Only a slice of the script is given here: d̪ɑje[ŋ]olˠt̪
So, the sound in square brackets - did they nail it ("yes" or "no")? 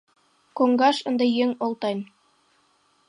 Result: yes